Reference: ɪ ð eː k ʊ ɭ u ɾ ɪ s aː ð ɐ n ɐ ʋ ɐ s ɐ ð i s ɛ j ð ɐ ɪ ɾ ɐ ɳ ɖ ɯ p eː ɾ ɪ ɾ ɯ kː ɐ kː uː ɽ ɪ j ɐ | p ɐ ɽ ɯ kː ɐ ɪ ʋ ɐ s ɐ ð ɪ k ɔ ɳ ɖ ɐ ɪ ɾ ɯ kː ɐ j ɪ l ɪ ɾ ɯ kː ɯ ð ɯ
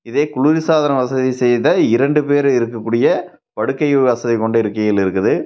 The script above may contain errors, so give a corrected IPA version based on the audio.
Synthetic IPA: ɪ ð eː k ʊ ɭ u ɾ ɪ s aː ð ɐ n ɐ ʋ ɐ s ɐ ð i s ɛ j ð ɐ ɪ ɾ ɐ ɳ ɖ ɯ p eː ɾ ɪ ɾ ɯ kː ɐ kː uː ɽ ɪ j ɐ | p ɐ ɽ ɯ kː ɐ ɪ ʋ ɐ s ɐ ð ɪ k ɔ ɳ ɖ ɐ ɪ ɾ ɯ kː ɐ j ɪ l ɪ ɾ ɯ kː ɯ ð ɯ